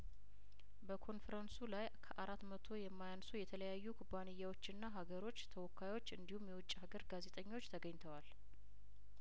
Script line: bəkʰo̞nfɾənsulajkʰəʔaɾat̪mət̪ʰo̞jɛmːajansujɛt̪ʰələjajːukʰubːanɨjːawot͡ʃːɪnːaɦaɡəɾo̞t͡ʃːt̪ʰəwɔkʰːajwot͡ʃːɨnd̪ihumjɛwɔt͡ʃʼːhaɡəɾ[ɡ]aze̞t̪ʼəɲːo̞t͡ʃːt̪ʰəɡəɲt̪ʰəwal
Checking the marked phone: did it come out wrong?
no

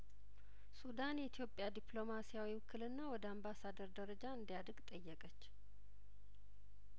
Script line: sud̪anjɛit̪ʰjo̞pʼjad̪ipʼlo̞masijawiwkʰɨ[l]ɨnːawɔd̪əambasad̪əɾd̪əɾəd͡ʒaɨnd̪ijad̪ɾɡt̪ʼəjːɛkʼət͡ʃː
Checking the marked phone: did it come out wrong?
no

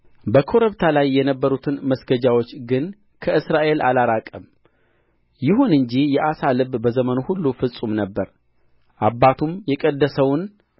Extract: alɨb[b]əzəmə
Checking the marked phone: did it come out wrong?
no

